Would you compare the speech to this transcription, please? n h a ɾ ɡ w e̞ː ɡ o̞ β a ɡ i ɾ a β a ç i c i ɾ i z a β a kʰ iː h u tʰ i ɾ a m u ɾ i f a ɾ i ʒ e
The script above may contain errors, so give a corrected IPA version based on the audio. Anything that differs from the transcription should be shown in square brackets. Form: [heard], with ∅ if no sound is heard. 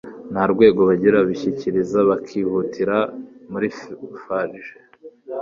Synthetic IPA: n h a ɾ ɡ w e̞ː ɡ o̞ β a [ɟ] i ɾ a β [i] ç i c i ɾ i z a β a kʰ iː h u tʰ i ɾ a m u ɾ i f a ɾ i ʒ e